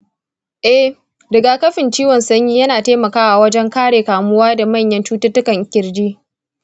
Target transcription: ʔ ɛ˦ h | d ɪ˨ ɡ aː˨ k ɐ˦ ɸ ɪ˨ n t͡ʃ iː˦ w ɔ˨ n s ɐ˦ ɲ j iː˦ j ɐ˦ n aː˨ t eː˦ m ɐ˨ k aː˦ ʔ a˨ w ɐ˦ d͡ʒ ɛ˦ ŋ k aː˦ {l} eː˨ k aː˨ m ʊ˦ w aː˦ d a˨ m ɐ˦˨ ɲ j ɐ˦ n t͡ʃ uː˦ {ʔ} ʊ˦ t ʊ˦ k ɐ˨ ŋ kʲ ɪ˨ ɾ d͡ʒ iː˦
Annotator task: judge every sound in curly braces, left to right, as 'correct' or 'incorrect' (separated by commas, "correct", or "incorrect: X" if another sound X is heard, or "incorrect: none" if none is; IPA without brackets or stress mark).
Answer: incorrect: ɽ, incorrect: t